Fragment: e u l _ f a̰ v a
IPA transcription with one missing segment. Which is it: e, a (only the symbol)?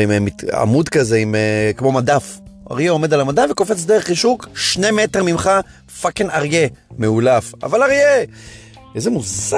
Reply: a